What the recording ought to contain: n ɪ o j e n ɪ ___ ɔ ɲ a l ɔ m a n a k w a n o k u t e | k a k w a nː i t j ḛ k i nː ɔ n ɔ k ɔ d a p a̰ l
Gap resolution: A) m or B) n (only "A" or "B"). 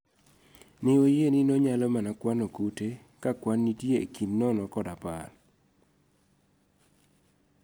B